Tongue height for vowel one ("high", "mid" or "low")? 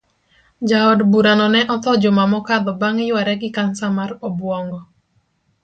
low